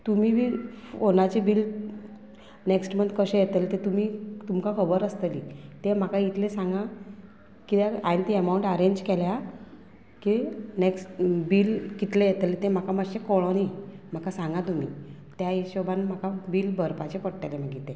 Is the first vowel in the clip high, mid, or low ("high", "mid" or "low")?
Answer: high